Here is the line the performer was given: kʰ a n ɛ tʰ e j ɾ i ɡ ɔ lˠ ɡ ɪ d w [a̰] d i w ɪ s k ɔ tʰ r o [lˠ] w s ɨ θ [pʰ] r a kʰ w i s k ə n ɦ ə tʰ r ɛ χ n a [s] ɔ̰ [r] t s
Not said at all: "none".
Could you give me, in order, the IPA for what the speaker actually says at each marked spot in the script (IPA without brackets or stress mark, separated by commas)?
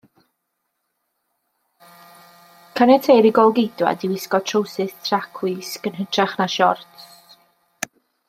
a̰, none, tʰ, ʃ, r